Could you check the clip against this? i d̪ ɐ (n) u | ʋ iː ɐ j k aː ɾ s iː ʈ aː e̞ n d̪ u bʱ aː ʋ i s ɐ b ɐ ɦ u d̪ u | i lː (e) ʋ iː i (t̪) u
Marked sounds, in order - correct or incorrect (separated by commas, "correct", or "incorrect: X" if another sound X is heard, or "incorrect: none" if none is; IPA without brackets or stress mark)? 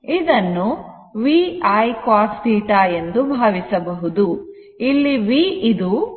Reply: incorrect: nː, incorrect: i, incorrect: d̪